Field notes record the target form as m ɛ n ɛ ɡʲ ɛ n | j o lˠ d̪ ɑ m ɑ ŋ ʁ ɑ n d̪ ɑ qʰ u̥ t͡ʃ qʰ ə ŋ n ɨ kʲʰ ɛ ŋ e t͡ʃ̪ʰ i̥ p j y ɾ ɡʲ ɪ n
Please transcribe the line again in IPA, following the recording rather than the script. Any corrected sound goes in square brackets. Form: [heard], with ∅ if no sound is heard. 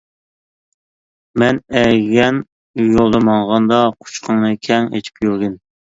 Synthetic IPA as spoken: m ɛ n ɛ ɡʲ ɛ n | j o lˠ d̪ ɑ m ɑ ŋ ʁ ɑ n d̪ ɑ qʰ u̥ t͡ʃ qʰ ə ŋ n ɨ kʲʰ ɛ ŋ e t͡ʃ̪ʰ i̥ p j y ɾ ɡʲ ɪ n